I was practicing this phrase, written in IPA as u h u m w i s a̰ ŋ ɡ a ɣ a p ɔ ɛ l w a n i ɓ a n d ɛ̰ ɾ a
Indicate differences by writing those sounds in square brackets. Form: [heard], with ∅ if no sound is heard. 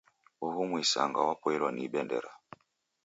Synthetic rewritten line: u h u m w i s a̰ ŋ ɡ a [w] a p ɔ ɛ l w a n i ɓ [ɛ] n d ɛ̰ ɾ a